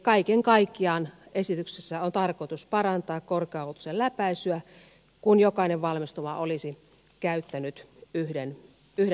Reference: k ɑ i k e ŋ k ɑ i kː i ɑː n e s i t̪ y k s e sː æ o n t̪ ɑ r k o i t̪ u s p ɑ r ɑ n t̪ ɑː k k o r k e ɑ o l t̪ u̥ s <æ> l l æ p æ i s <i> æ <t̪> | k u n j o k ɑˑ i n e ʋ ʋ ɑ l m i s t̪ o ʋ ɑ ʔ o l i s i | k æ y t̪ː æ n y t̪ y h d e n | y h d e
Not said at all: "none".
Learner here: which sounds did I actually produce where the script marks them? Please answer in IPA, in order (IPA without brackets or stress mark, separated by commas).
e, y, none